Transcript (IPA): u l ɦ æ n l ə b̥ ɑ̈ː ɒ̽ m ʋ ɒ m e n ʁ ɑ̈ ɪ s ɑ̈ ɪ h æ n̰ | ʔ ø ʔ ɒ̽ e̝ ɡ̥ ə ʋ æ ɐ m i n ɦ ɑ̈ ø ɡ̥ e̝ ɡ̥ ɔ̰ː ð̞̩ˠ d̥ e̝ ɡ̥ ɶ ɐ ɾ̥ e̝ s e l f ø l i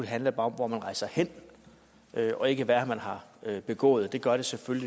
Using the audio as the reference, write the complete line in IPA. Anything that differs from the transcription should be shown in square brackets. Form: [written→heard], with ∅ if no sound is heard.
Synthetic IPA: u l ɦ æ n l ə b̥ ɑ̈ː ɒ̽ m ʋ ɒ m [e→æ] n ʁ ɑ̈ ɪ s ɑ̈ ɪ h [æ→e] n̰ | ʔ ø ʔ ɒ̽ e̝ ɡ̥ ə ʋ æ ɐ m [i→æ] n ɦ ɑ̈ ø [ɡ̥→b̥] e̝ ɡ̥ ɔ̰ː ð̞̩ˠ d̥ e̝ ɡ̥ ɶ ɐ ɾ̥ e̝ s e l f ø l i